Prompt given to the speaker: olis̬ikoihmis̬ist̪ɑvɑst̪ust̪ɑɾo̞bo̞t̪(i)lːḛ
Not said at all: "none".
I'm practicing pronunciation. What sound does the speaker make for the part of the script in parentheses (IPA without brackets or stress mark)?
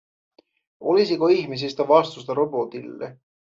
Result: i